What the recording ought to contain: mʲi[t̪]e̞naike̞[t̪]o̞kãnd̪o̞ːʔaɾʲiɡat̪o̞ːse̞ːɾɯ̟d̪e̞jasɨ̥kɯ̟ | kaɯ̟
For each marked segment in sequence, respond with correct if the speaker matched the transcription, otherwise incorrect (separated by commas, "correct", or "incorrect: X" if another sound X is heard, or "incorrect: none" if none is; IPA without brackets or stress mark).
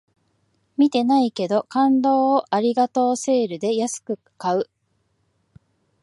correct, incorrect: d̪